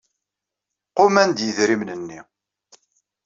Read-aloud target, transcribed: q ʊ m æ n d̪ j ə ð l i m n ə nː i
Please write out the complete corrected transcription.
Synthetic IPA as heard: q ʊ m æ n d̪ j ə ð ɾ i m n ə nː i